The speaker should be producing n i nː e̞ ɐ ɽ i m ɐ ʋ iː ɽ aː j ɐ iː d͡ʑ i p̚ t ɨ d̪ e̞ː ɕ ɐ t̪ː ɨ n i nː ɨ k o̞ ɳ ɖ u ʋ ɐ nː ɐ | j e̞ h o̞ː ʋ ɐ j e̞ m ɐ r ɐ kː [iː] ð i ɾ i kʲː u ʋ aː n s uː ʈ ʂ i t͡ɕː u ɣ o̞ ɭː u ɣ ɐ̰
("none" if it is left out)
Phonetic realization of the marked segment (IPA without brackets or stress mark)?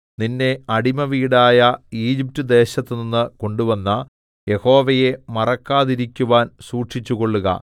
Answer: aː